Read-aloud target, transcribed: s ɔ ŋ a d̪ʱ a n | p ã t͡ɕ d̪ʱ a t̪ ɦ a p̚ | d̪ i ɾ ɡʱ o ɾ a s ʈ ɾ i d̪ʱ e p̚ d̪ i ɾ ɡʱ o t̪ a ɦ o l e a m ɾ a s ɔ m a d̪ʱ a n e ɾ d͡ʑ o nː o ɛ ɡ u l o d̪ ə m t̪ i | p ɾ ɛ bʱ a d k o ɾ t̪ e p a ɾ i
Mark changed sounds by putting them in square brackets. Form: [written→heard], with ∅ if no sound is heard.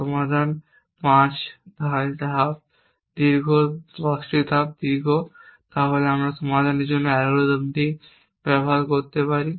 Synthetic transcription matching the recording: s ɔ [ŋ→m] a d̪ʱ a n | p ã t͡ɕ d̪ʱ a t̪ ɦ a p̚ | d̪ i ɾ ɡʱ o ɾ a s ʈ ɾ i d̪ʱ [e→a] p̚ d̪ i ɾ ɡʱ o t̪ a ɦ o l e a m ɾ a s ɔ m a d̪ʱ a n e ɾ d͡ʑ o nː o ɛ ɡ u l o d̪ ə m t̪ i | p ɾ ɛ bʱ a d k o ɾ t̪ e p a ɾ i